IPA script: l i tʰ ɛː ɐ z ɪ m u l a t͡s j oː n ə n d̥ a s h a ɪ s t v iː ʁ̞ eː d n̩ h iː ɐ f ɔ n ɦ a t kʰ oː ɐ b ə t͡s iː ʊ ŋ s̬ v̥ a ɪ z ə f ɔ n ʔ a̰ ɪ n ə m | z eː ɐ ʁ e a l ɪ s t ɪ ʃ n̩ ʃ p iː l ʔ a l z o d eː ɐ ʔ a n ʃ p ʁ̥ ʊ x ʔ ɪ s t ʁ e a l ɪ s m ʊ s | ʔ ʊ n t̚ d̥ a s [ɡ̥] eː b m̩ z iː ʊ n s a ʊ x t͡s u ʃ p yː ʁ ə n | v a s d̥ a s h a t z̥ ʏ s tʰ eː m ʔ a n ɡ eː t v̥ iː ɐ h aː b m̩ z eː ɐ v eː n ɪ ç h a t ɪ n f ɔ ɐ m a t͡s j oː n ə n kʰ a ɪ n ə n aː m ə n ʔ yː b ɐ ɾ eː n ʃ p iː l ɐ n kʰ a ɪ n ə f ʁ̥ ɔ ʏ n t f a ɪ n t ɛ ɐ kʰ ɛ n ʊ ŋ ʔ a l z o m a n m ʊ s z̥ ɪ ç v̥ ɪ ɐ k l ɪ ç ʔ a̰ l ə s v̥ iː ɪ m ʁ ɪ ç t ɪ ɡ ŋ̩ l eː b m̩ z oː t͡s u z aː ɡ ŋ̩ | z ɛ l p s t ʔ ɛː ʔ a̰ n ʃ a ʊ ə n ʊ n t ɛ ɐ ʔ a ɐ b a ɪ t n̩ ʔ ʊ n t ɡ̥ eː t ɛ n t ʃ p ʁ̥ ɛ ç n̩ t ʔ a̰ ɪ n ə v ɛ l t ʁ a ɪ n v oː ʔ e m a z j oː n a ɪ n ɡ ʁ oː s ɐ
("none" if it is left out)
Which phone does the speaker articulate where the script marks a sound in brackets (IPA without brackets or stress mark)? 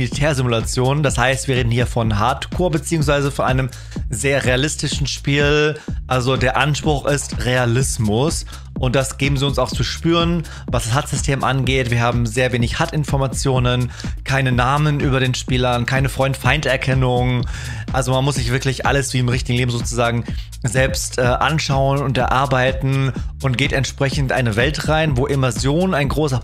ɡ̥